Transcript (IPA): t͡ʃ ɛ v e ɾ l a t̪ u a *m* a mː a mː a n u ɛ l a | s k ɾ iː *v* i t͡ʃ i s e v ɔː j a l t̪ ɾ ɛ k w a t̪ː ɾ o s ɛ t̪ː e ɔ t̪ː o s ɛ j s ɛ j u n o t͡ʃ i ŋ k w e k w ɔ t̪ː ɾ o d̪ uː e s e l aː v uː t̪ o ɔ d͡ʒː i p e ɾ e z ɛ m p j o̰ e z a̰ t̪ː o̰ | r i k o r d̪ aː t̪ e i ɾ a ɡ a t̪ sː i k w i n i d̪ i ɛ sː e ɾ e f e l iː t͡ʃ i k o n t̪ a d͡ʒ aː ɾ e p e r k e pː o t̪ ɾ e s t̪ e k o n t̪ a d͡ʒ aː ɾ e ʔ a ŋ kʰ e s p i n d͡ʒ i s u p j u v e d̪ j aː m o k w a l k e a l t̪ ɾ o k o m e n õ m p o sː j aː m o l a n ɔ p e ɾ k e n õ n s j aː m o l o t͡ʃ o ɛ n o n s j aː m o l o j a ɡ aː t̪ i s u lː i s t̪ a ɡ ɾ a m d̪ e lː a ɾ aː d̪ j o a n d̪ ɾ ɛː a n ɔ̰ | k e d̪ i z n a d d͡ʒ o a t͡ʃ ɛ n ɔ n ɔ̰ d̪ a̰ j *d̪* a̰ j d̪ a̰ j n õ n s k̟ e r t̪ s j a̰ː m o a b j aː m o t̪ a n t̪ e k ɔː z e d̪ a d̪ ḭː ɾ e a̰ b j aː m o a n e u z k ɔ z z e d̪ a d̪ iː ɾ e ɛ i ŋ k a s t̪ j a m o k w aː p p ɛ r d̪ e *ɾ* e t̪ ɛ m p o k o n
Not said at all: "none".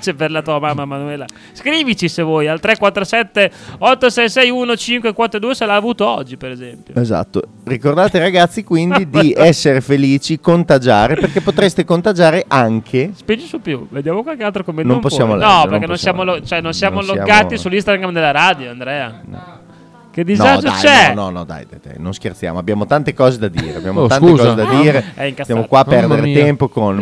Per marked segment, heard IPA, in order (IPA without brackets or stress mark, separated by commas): m, v, d̪, ɾ